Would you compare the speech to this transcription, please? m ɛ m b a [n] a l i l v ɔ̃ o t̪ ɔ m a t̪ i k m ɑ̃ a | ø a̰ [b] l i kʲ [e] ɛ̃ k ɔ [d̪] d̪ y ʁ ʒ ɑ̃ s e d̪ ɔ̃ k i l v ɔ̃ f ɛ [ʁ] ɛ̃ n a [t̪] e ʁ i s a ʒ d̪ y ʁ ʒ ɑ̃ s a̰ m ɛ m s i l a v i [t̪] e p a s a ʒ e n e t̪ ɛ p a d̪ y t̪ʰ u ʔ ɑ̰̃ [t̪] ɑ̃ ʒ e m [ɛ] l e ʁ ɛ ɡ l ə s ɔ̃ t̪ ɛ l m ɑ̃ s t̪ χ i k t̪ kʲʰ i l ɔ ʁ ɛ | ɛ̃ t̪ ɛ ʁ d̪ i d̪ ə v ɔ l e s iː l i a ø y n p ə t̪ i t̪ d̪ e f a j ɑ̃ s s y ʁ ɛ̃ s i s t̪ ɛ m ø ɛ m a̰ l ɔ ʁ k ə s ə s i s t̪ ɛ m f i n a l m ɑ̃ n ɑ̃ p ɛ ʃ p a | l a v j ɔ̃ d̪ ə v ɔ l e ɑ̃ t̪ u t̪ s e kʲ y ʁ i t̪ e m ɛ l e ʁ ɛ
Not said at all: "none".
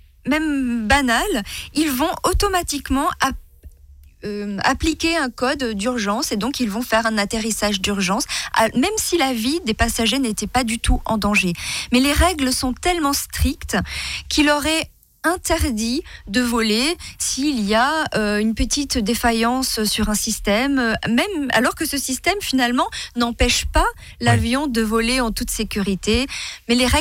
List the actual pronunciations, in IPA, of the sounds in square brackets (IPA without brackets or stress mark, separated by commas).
n, p, e, d̪, ʁ, t̪, d̪, d̪, ɛ